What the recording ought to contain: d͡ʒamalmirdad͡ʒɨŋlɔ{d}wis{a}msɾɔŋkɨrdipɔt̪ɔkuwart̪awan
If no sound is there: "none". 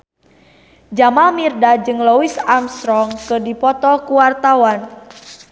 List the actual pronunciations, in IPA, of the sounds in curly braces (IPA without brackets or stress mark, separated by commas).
none, a